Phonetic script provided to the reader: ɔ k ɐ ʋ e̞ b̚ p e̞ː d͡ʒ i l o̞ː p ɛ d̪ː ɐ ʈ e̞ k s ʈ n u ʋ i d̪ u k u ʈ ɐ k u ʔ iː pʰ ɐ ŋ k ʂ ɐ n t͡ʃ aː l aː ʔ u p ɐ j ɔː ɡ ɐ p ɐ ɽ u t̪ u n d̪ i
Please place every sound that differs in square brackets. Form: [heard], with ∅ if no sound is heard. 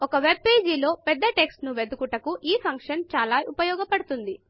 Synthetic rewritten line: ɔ k ɐ ʋ e̞ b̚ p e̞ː d͡ʒ i l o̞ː p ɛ d̪ː ɐ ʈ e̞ k s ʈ n u ʋ [e] d̪ u k u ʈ ɐ k u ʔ iː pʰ ɐ ŋ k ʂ ɐ n t͡ʃ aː l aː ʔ u p ɐ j ɔː ɡ ɐ p ɐ ɽ u t̪ u n d̪ i

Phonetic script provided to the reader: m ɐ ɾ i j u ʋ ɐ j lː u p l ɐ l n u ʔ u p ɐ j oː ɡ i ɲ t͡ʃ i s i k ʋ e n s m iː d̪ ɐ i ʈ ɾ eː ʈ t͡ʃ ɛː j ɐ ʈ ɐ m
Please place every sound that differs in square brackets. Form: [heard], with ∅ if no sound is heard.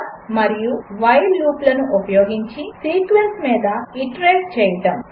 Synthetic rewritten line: m ɐ ɾ i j u ʋ ɐ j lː [uː] p l ɐ [∅] n u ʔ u p ɐ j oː ɡ i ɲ t͡ʃ i s [iː] k ʋ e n s m iː d̪ ɐ i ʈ ɾ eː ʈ t͡ʃ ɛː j ɐ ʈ ɐ m

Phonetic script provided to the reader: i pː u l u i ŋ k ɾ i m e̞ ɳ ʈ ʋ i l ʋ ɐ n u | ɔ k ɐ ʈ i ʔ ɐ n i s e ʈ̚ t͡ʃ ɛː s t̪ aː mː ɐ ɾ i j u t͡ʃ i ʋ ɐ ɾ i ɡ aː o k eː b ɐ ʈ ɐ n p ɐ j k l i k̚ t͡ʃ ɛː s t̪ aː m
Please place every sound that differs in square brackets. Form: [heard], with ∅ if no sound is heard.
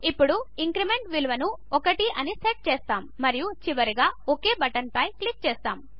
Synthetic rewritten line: i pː u [ɽ] u i ŋ k ɾ i m e̞ ɳ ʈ ʋ i l ʋ ɐ n u | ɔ k ɐ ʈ i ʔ ɐ n i s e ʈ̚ t͡ʃ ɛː s t̪ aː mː ɐ ɾ i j u t͡ʃ i ʋ ɐ ɾ i ɡ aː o k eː b ɐ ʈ ɐ n p ɐ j k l i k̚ t͡ʃ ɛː s t̪ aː m

